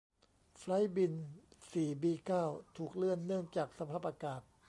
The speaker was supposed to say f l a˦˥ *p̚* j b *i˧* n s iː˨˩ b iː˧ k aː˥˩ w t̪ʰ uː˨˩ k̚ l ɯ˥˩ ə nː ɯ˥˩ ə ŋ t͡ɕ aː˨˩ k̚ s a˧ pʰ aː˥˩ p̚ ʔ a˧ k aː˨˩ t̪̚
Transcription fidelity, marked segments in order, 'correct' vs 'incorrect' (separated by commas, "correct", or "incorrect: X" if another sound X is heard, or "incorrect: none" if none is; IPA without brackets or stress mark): incorrect: none, correct